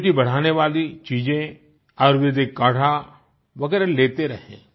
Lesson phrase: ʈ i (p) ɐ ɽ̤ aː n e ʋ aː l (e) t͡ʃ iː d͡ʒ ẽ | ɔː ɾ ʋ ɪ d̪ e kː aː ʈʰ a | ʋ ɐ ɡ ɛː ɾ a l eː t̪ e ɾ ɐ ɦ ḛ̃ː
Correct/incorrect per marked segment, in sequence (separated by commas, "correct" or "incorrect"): incorrect, incorrect